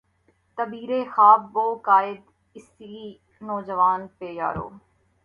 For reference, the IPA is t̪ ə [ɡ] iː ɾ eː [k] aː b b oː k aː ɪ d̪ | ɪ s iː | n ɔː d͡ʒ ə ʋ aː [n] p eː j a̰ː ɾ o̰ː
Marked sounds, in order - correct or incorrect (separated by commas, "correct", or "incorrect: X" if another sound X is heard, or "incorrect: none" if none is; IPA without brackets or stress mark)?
incorrect: b, incorrect: x, correct